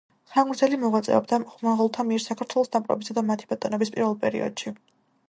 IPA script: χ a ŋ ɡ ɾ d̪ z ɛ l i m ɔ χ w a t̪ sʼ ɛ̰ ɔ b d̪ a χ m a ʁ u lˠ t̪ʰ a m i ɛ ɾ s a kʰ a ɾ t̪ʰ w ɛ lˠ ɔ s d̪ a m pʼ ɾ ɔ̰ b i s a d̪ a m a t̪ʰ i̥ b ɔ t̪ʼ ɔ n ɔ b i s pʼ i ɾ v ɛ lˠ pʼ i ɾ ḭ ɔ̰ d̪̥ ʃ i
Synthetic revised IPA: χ a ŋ ɡ ɾ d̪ z ɛ l i m ɔ ʁ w a t̪ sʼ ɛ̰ ɔ b d̪ a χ m a ʁ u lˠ t̪ʰ a m i ɛ ɾ s a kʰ a ɾ t̪ʰ w ɛ lˠ ɔ s d̪ a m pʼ ɾ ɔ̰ b i s a d̪ a m a t̪ʰ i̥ b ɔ t̪ʼ ɔ n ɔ b i s pʼ i ɾ v ɛ lˠ pʼ ɛ ɾ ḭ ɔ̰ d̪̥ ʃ i